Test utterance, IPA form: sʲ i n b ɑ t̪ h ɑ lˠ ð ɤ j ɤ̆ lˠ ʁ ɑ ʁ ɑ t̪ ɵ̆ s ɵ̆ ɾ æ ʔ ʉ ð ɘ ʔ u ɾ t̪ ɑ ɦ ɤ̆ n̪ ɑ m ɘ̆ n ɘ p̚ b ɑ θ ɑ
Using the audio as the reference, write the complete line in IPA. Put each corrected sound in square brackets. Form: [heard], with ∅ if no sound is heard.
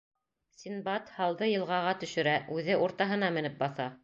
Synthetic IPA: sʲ i n b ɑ t̪ h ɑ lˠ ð ɤ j ɤ̆ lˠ ʁ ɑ ʁ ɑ t̪ ɵ̆ [ʃ] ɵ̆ ɾ æ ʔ ʉ ð ɘ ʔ u ɾ t̪ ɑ ɦ ɤ̆ n̪ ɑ m ɘ̆ n ɘ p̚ b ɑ θ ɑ